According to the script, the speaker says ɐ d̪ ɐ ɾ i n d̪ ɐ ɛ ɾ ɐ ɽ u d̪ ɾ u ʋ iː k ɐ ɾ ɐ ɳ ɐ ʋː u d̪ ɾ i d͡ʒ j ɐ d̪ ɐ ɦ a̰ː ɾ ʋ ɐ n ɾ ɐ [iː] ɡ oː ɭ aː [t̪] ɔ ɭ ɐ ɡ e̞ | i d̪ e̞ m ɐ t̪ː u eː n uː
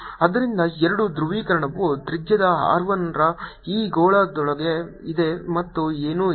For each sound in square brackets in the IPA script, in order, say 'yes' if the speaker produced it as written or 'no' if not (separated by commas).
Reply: yes, no